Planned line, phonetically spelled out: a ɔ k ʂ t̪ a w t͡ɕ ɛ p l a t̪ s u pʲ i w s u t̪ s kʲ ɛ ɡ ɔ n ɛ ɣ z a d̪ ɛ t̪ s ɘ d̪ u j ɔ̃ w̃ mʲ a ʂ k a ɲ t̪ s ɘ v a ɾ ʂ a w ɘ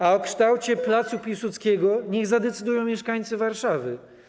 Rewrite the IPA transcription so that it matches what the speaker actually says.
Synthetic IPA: a ɔ k ʂ t̪ a w t͡ɕ ɛ p l a t̪ s u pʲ i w s u t̪ s kʲ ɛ ɡ ɔ ɲ ɛ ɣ z a d̪ ɛ t̪ s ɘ d̪ u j ɔ̃ w̃ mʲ ɛ ʂ k a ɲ t̪ s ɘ v a ɾ ʂ a v ɘ

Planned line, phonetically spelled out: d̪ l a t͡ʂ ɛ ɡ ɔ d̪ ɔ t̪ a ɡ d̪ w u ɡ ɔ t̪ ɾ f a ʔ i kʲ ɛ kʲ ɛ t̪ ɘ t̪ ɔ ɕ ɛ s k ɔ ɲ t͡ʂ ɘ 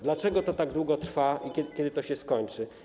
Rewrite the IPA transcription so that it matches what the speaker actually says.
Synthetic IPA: d̪ l a t͡ʂ ɛ ɡ ɔ t̪ ɔ t̪ a ɡ d̪ w u ɡ ɔ t̪ ɾ f a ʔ i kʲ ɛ kʲ ɛ d̪ ɘ t̪ ɔ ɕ ɛ s k ɔ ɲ t͡ʂ ɘ

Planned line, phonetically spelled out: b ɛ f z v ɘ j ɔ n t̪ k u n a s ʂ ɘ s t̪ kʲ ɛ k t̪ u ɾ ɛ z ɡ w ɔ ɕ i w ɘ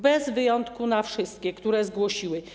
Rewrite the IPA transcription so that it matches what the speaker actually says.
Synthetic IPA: b ɛ z v ɘ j ɔ n t̪ k u n a f ʂ ɘ s t̪ kʲ ɛ k t̪ u ɾ ɛ z ɡ w ɔ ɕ i w ɘ

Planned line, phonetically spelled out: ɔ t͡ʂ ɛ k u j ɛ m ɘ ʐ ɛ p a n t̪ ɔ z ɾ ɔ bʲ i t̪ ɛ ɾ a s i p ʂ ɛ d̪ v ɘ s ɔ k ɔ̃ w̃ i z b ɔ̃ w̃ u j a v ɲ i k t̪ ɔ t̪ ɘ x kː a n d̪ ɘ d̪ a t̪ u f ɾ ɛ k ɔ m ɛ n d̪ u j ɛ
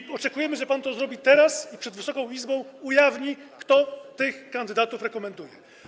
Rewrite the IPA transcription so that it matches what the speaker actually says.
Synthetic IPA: ɔ t͡ʂ ɛ k u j ɛ m ɘ ʐ ɛ p a n t̪ ɔ z ɾ ɔ bʲ i t̪ ɛ ɾ a s i p ʂ ɛ d̪ v ɘ s ɔ k ɔ̃ w̃ i z b ɔ̃ w̃ u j a v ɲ i k t̪ ɔ t̪ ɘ x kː a n d̪ ɘ d̪ a t̪ u f ɾ ɛ k ɔ m ɛ n d̪ u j ɛ

